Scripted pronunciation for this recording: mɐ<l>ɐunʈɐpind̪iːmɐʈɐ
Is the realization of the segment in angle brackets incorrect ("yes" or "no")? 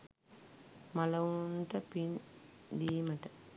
no